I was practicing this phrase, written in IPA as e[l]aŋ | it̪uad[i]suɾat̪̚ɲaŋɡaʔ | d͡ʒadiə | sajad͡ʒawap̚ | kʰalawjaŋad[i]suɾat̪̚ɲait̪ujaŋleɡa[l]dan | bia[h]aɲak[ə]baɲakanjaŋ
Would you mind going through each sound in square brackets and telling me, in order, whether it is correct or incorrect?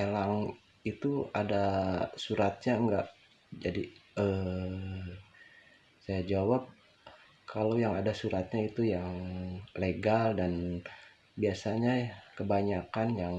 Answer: correct, incorrect, incorrect, correct, incorrect, correct

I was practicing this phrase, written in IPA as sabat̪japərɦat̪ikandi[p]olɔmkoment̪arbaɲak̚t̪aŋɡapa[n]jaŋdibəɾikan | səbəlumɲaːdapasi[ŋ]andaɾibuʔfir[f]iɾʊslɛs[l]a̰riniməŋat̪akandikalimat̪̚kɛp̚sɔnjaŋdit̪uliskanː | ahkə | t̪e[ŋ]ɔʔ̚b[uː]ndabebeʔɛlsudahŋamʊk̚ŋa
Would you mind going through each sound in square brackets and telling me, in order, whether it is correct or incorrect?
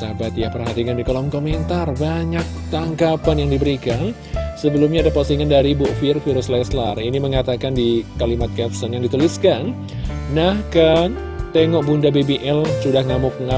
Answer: incorrect, correct, correct, correct, correct, correct, incorrect

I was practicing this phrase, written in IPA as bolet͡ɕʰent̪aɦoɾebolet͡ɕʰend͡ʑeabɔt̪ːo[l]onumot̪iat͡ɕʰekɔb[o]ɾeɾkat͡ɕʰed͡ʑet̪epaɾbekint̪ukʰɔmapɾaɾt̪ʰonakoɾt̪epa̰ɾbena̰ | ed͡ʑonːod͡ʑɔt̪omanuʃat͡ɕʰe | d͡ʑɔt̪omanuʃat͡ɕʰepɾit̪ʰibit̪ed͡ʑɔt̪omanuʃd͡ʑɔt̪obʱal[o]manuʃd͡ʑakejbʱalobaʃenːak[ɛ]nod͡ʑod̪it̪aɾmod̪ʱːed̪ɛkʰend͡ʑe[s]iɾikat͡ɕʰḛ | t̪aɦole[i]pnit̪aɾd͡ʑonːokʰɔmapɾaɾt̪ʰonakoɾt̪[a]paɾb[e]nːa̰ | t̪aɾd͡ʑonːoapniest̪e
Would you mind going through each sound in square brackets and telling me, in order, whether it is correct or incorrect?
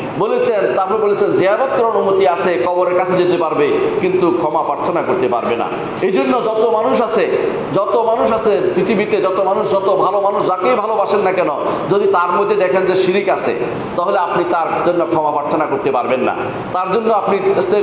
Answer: incorrect, correct, correct, correct, incorrect, incorrect, incorrect, correct

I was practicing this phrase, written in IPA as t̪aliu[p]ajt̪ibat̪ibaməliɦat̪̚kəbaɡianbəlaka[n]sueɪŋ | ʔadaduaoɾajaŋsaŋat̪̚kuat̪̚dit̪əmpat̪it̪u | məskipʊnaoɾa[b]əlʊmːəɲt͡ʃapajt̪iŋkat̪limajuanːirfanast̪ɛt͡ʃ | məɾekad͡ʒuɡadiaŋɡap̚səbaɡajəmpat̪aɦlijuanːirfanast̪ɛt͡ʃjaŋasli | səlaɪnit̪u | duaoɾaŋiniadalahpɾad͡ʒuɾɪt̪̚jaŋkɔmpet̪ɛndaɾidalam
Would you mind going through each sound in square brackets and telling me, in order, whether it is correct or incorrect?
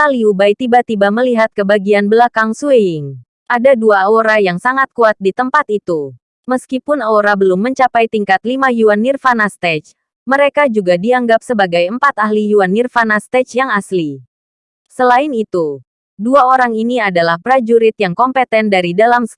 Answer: incorrect, incorrect, correct

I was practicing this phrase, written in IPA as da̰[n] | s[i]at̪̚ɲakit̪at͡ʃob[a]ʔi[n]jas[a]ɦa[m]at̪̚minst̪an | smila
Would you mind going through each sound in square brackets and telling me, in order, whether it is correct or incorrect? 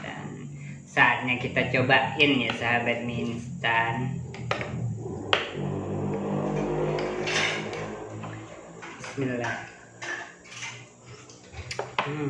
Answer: correct, incorrect, correct, correct, correct, incorrect

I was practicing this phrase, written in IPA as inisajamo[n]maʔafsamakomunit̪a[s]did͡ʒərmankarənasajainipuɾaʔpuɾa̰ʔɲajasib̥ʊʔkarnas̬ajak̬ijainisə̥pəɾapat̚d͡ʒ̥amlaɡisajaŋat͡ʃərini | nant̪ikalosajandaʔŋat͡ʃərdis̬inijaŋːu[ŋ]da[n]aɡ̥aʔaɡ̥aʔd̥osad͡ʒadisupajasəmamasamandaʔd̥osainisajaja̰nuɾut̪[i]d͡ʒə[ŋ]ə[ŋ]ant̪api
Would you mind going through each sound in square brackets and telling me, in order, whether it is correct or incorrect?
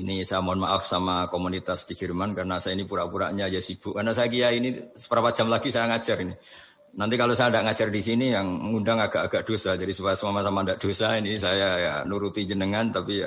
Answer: correct, correct, incorrect, incorrect, correct, incorrect, correct

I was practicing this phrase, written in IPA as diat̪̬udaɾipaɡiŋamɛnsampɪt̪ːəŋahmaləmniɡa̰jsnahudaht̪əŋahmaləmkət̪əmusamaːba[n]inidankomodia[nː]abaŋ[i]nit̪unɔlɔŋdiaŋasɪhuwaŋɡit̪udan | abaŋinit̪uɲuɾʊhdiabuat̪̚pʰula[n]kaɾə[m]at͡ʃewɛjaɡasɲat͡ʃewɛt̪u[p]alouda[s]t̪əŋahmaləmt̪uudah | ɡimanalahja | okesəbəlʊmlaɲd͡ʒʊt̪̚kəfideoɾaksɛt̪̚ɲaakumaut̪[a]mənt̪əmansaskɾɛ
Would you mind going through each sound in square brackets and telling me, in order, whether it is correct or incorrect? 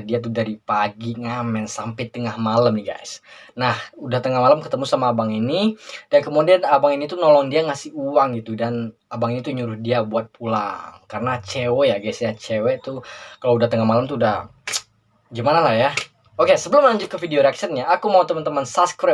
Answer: incorrect, incorrect, correct, incorrect, incorrect, incorrect, incorrect, incorrect

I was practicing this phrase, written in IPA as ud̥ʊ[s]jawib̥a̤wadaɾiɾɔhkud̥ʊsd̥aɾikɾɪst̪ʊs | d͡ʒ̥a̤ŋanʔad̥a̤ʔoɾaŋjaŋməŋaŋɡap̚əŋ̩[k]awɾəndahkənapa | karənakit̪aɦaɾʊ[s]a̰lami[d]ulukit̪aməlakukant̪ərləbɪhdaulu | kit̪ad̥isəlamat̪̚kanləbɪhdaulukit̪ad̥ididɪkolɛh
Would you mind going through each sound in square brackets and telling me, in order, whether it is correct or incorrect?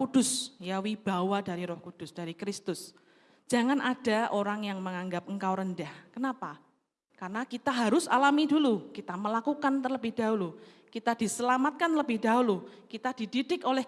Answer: correct, correct, correct, correct

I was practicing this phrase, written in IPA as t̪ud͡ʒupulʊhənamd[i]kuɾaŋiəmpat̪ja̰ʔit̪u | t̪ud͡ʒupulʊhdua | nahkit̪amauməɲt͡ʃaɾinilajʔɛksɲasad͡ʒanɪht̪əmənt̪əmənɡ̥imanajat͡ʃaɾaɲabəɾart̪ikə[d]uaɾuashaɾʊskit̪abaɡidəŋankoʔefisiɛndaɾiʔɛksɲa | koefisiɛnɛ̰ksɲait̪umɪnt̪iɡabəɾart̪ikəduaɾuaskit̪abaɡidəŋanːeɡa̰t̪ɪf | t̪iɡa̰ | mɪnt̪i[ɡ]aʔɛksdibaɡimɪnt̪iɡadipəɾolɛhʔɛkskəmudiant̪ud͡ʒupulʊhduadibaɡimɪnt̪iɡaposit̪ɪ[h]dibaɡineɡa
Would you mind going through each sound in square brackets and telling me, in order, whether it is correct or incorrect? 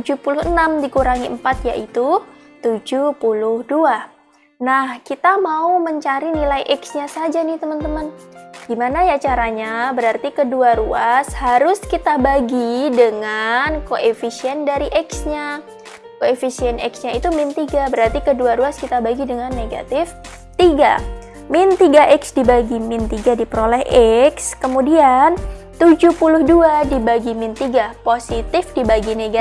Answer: correct, correct, correct, incorrect

